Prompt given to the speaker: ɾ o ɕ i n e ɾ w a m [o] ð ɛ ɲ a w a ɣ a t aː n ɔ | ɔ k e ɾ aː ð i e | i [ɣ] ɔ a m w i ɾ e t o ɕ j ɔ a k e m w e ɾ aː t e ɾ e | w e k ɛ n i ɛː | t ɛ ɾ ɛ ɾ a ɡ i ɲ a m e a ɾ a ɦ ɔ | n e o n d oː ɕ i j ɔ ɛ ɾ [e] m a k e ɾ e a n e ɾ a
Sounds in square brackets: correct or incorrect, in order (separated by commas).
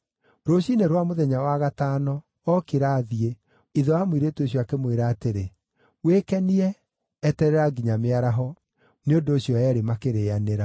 correct, incorrect, correct